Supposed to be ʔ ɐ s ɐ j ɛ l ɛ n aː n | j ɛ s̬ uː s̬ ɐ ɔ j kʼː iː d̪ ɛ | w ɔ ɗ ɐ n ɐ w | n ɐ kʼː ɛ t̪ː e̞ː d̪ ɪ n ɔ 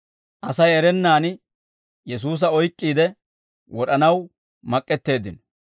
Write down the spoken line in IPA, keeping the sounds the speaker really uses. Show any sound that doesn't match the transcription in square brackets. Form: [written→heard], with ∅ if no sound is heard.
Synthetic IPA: ʔ ɐ s ɐ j ɛ [l→ɾ] ɛ [n→nː] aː n | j ɛ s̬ uː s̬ ɐ ɔ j kʼː iː d̪ ɛ | w ɔ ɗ ɐ n ɐ w | [n→m] ɐ kʼː ɛ t̪ː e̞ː d̪ ɪ n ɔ